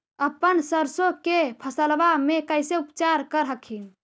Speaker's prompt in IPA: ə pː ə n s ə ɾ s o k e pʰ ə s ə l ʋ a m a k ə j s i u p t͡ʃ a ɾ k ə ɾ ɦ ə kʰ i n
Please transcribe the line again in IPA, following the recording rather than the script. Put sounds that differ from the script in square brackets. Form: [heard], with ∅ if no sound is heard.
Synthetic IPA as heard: ə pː ə n s ə ɾ s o k e pʰ ə s ə l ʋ a m [e] k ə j s [e] u p t͡ʃ a ɾ k ə ɾ ɦ ə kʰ i n